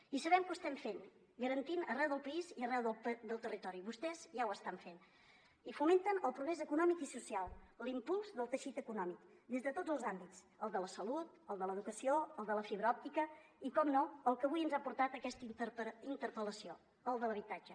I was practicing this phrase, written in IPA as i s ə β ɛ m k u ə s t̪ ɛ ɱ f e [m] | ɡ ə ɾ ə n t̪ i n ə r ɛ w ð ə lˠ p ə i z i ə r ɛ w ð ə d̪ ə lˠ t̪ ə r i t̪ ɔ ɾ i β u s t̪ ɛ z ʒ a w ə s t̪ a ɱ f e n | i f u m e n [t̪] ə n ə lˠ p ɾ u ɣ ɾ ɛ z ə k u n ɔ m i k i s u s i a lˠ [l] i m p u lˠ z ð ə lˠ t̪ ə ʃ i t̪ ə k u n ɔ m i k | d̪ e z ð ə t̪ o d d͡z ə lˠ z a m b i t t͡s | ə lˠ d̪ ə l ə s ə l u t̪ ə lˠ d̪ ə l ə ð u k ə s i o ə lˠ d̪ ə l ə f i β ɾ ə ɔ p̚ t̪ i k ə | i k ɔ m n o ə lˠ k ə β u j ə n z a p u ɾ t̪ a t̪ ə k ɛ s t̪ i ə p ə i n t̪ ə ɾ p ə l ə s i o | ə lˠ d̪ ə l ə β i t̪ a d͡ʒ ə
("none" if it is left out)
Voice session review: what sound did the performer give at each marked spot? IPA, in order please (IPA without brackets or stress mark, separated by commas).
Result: n, t̪, l